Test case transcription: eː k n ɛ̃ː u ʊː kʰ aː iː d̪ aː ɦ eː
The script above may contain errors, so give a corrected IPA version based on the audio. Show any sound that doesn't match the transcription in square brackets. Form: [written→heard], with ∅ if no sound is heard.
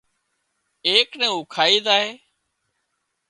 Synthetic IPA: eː k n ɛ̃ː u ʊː kʰ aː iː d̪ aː ɦ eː